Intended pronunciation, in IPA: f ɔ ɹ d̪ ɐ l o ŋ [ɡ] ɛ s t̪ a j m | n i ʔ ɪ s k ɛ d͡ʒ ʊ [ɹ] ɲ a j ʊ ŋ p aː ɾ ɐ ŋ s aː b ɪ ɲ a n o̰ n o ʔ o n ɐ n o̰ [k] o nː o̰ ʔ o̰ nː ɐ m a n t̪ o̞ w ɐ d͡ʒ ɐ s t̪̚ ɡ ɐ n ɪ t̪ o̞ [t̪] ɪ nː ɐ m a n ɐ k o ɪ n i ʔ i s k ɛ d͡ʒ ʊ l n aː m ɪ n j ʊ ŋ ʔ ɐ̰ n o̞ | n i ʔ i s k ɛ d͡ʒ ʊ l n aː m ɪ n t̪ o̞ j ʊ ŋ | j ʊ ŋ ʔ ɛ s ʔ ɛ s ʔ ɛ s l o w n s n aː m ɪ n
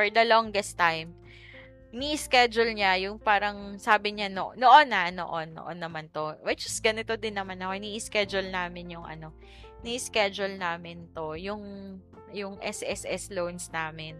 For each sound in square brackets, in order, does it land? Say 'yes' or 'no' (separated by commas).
yes, no, no, no